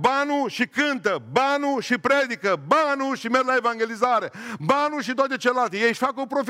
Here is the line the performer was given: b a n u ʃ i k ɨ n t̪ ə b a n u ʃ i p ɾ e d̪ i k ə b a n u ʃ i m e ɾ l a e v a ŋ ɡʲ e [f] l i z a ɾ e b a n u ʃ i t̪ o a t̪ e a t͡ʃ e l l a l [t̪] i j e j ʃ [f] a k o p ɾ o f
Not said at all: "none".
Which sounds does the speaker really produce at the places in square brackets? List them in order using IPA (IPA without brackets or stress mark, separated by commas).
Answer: none, t̪, f